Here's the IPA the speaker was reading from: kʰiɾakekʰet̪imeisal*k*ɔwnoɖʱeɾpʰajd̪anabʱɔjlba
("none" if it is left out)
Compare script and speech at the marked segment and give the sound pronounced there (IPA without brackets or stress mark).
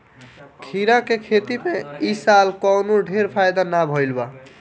k